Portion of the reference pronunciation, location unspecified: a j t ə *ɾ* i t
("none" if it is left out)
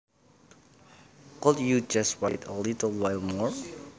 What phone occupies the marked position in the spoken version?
l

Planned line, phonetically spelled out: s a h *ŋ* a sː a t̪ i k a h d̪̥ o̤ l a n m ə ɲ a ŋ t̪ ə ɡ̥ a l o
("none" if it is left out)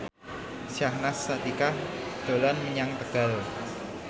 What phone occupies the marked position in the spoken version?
n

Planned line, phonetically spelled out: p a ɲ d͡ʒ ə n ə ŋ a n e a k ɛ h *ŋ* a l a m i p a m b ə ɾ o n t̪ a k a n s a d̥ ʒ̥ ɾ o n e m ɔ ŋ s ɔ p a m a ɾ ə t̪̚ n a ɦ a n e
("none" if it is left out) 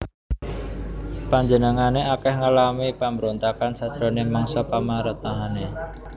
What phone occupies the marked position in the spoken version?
ŋ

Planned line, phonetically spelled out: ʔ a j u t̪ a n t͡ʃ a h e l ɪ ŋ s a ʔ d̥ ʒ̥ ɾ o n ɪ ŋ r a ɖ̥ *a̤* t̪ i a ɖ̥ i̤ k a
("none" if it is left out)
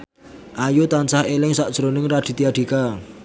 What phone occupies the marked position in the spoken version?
i̤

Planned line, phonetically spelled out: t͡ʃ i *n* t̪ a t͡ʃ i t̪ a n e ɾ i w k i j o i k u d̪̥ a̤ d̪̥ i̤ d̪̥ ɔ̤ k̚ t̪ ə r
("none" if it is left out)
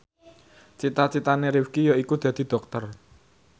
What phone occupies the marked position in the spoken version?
none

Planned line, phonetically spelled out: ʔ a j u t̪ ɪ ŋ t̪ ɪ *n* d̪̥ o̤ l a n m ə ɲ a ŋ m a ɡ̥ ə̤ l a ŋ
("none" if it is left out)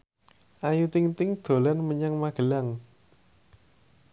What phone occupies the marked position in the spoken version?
ŋ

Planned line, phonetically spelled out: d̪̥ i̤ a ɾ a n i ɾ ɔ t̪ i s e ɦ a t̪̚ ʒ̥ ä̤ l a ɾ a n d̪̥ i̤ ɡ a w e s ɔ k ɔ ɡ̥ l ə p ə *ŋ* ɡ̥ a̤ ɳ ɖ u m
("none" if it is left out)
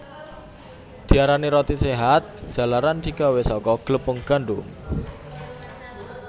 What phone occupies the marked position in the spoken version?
ŋ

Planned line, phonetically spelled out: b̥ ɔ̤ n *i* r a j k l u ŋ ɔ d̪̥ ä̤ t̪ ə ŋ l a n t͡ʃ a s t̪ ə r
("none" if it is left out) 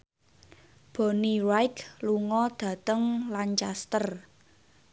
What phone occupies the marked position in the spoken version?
i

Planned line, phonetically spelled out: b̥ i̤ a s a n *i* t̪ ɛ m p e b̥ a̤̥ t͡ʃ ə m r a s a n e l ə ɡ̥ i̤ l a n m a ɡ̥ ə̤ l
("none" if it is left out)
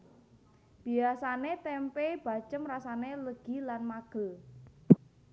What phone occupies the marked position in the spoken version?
e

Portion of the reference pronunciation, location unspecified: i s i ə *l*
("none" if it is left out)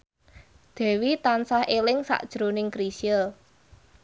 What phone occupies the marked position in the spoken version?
l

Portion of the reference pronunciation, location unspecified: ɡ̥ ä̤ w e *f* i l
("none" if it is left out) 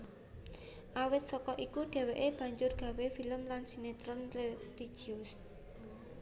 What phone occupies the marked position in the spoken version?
f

